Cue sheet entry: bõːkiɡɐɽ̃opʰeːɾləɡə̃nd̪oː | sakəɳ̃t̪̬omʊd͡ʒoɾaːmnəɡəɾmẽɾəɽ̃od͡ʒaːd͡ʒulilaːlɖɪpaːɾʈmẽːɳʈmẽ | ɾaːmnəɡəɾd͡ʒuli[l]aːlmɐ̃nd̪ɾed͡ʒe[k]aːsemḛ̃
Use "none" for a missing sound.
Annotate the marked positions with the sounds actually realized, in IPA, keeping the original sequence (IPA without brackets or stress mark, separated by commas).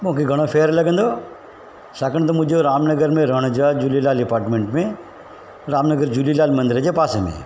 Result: l, p